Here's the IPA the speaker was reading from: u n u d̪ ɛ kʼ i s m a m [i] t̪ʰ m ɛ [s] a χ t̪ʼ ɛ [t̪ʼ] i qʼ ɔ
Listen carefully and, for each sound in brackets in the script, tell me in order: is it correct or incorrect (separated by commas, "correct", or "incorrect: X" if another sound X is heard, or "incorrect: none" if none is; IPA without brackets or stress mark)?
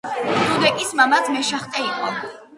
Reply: incorrect: a, incorrect: ʃ, incorrect: none